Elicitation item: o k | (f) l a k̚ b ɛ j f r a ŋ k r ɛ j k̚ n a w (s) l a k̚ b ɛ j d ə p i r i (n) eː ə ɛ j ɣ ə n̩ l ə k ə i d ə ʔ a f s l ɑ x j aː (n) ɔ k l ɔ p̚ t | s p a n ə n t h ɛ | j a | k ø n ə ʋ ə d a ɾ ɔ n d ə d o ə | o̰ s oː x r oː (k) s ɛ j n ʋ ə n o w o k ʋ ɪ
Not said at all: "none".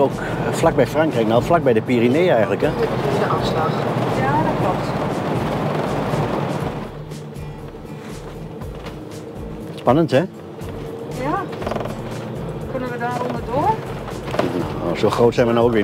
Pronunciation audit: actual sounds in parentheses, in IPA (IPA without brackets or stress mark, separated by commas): f, f, n, d, t